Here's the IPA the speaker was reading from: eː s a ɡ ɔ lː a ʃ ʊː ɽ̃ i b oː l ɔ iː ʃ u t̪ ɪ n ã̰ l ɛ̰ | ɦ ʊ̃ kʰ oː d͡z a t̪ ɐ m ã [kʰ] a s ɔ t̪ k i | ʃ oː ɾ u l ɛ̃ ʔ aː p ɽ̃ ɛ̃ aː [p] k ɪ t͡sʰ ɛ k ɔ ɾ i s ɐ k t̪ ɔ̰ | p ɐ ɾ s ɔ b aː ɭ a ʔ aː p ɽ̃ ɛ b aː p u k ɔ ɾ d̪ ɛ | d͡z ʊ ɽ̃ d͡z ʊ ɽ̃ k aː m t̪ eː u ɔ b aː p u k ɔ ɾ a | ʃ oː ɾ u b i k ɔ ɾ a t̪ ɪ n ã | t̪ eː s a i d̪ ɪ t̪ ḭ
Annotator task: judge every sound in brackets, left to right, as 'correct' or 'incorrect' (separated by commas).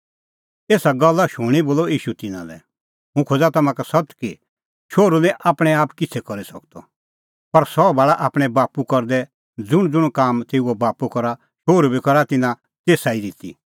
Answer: incorrect, correct